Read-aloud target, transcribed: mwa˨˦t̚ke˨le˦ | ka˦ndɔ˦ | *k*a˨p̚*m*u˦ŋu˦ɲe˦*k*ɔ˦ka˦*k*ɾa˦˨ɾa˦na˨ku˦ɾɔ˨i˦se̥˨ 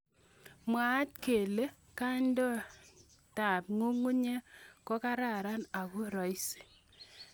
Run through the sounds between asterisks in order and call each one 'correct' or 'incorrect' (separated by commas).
incorrect, incorrect, correct, incorrect